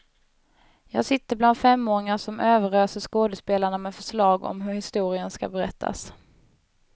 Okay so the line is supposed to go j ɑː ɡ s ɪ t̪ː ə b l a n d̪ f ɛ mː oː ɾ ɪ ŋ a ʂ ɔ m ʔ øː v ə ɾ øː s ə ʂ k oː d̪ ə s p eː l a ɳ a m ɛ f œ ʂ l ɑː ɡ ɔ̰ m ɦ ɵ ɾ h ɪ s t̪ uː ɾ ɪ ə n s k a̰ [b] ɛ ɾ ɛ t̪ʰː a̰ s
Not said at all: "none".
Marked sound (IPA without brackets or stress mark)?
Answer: b